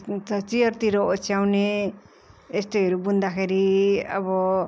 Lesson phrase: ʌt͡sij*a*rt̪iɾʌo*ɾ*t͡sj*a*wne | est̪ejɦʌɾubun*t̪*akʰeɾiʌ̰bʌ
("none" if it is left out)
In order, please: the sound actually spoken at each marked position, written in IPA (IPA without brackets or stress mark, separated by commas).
ʌ, none, a, d̪